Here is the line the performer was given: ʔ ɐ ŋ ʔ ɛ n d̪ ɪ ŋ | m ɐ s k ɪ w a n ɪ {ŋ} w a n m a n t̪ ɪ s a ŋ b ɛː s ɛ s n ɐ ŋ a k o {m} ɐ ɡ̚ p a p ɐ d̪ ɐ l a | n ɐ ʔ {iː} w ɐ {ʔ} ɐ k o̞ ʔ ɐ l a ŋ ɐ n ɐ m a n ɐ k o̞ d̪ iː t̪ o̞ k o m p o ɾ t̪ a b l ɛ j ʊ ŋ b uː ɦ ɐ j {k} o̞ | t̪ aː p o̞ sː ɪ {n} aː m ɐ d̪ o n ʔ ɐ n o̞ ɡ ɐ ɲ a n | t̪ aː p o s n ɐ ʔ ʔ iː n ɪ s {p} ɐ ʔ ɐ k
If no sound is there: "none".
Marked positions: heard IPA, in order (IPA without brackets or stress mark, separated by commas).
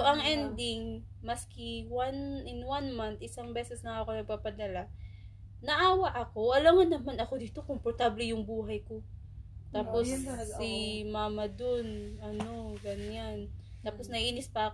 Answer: n, n, aː, ʔ, k, m, p